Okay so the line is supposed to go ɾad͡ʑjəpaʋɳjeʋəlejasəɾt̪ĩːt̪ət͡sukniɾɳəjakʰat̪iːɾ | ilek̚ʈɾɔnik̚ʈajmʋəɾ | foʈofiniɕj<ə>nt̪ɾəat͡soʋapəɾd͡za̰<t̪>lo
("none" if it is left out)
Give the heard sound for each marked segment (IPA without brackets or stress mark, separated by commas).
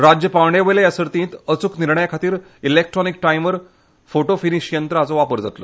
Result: ə, t̪